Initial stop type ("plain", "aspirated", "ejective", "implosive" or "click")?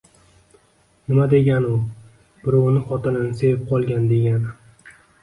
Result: plain